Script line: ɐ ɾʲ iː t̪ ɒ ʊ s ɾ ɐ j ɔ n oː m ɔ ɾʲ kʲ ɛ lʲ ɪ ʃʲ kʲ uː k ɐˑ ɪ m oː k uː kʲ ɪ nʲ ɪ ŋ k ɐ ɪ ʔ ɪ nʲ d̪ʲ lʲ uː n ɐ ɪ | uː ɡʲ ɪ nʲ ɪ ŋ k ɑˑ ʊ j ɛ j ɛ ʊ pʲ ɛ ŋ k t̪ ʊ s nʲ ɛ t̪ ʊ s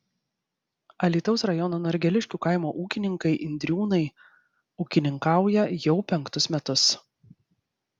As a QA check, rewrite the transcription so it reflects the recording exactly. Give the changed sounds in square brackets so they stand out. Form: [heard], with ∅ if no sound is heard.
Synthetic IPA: ɐ [lʲ] iː t̪ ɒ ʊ s ɾ ɐ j ɔ n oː [n] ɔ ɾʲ [ɡʲ] ɛ lʲ ɪ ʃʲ kʲ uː k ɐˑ ɪ m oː [ʔ] uː kʲ ɪ nʲ ɪ ŋ k ɐ ɪ ʔ ɪ nʲ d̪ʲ [ɾʲ] uː n ɐ ɪ | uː [kʲ] ɪ nʲ ɪ ŋ k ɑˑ ʊ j ɛ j ɛ ʊ pʲ ɛ ŋ k t̪ ʊ s [mʲ] ɛ t̪ ʊ s

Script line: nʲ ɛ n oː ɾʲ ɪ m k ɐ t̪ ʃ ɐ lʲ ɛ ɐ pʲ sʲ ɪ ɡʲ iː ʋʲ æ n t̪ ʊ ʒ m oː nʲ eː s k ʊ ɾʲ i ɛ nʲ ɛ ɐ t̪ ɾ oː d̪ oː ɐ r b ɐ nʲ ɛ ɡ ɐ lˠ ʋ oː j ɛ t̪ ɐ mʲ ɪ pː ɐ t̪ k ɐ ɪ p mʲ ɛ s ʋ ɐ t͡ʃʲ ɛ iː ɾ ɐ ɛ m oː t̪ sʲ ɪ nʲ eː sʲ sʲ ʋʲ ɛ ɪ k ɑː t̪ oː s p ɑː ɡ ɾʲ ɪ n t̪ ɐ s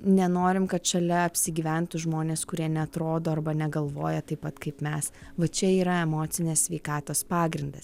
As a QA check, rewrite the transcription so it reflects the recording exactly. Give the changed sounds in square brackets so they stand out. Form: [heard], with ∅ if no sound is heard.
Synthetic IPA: nʲ ɛ n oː ɾʲ ɪ m k ɐ t̪ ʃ ɐ lʲ ɛ ɐ pʲ sʲ ɪ ɡʲ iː ʋʲ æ n t̪ ʊ ʒ m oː nʲ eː s k ʊ ɾʲ i ɛ nʲ ɛ ɐ t̪ ɾ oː d̪ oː ɐ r b ɐ nʲ ɛ ɡ ɐ lˠ ʋ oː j ɛ t̪ ɐ [∅] ɪ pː ɐ t̪ k ɐ ɪ p mʲ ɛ s ʋ ɐ t͡ʃʲ ɛ iː ɾ ɐ ɛ m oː t̪ sʲ ɪ nʲ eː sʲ sʲ ʋʲ ɛ ɪ k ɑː t̪ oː s p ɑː ɡ ɾʲ ɪ n [d̪] ɐ s

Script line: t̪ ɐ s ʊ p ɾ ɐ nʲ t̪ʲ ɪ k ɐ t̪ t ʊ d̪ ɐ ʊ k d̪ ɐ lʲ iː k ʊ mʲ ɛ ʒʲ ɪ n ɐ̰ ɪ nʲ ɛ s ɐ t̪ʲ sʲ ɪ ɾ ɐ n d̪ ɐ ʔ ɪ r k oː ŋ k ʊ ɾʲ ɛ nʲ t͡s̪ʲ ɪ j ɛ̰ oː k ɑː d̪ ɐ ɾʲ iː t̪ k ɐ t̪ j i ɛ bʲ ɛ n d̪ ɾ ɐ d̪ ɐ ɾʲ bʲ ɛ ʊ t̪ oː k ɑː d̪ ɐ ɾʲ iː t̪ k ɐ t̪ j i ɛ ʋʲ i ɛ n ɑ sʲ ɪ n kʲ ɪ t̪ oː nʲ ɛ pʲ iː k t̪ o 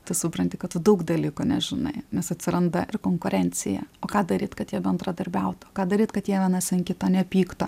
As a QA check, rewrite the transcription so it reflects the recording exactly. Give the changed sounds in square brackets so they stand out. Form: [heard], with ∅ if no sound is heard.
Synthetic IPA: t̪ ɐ s ʊ p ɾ ɐ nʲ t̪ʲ ɪ k ɐ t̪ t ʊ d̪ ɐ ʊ k d̪ ɐ lʲ iː k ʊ [nʲ] ɛ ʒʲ ɪ n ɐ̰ ɪ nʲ ɛ s ɐ t̪ʲ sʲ ɪ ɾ ɐ n d̪ ɐ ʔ ɪ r k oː ŋ k ʊ ɾʲ ɛ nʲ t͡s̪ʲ ɪ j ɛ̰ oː k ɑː d̪ ɐ ɾʲ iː t̪ k ɐ t̪ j i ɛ bʲ ɛ n d̪ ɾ ɐ d̪ ɐ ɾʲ bʲ ɛ ʊ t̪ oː k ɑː d̪ ɐ ɾʲ iː t̪ k ɐ t̪ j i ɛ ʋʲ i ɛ n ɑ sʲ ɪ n kʲ ɪ t̪ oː nʲ ɛ pʲ iː k t̪ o

